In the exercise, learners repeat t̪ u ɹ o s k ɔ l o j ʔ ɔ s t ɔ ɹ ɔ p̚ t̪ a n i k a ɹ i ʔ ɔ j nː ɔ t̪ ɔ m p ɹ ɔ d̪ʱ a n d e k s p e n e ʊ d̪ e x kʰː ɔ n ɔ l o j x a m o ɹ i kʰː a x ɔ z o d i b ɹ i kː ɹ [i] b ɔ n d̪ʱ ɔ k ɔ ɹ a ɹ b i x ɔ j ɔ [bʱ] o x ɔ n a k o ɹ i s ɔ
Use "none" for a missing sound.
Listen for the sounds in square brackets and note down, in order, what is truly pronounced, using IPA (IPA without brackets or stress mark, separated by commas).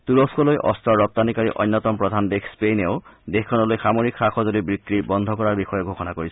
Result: i, ɡʱ